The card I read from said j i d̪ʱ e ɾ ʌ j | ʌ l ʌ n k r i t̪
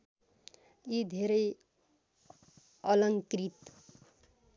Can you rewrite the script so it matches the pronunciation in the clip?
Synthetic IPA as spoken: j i d̪ʱ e ɾ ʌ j | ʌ l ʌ ŋ k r i t̪